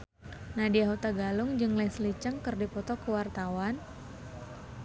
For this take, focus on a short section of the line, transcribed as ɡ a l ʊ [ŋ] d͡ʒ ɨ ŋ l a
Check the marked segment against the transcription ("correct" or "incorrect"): correct